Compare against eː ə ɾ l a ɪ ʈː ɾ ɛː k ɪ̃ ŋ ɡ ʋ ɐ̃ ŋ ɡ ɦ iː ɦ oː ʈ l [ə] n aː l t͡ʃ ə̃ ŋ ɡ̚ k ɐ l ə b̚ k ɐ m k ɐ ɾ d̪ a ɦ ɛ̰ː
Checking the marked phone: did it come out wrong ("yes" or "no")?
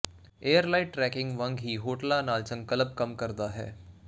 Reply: yes